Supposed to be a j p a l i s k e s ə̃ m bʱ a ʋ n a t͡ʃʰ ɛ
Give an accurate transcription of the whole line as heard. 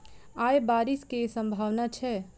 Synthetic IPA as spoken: a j b a ɾ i s k e s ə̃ m bʱ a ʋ n a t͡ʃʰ ɛ